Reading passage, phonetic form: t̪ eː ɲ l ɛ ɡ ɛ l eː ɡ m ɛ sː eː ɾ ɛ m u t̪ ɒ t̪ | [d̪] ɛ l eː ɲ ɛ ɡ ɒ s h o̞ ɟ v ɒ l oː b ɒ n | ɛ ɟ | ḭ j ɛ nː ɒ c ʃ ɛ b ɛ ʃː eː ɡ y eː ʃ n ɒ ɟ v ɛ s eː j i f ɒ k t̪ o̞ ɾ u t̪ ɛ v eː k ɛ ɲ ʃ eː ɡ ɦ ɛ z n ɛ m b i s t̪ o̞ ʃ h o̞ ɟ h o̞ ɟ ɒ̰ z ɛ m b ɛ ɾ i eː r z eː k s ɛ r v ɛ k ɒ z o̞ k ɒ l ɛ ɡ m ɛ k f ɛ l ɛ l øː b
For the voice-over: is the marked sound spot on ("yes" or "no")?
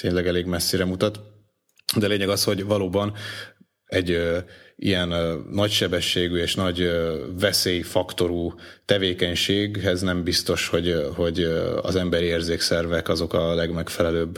yes